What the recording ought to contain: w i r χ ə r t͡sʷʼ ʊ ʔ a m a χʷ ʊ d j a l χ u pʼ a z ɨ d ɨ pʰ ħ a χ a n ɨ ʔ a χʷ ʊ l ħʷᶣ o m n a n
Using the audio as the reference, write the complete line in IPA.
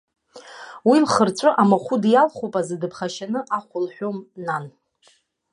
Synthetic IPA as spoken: w i l χ ə r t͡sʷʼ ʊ ʔ a m a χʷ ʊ d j a l χ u pʼ a z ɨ d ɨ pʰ χ a ʃ a n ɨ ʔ a χʷ ʊ l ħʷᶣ o m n a n